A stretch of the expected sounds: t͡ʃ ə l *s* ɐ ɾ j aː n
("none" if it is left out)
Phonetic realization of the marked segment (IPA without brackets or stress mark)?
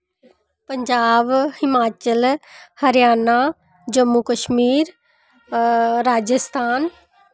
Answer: h